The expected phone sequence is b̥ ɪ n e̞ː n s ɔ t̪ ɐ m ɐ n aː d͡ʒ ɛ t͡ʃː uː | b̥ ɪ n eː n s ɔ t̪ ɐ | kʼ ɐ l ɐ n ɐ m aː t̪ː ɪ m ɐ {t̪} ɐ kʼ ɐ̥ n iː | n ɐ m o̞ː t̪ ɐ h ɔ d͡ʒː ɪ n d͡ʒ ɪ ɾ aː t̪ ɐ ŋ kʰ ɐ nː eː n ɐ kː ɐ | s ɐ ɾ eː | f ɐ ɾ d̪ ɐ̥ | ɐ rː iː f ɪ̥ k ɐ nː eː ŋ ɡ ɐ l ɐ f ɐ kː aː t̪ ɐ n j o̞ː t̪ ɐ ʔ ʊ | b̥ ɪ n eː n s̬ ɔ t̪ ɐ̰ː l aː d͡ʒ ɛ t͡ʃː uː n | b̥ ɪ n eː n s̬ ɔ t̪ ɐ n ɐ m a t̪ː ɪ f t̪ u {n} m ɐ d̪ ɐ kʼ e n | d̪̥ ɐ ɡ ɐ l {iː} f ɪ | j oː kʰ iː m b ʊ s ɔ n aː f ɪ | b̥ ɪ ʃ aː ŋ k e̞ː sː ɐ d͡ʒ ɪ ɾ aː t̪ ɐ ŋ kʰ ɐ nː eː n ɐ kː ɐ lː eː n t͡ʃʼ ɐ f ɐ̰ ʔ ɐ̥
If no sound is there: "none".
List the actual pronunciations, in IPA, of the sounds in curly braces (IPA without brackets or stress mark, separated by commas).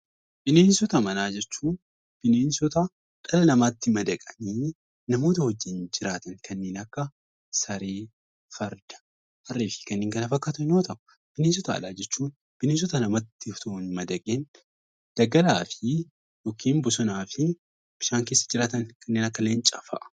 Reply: d̪, n, aː